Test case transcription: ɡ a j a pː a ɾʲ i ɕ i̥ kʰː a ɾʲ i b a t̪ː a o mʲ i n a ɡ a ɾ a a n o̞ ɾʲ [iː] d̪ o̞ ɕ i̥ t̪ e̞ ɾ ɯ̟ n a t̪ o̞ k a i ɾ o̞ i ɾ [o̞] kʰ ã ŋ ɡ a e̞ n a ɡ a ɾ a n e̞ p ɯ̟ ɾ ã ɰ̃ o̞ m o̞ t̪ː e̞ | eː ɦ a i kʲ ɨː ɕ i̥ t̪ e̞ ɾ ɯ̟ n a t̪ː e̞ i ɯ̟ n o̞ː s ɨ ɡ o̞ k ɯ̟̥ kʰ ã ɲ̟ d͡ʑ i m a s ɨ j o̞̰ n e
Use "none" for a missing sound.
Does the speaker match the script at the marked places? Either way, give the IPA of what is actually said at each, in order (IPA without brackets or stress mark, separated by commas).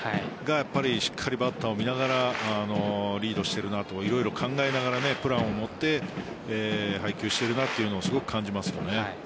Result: iː, o̞